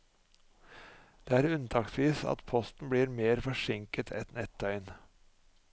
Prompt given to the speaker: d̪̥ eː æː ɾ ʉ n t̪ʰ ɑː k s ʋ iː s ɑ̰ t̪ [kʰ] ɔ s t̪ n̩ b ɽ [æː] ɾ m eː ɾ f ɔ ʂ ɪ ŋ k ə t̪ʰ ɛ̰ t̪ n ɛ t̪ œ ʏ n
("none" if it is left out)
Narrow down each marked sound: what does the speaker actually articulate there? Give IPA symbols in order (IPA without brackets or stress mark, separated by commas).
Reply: pʰ, iː